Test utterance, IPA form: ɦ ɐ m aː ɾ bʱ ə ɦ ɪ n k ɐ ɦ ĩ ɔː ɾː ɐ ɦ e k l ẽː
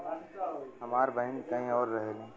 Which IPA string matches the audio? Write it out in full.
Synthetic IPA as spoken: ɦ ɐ m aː ɾ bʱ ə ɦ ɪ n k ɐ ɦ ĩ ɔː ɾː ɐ ɦ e l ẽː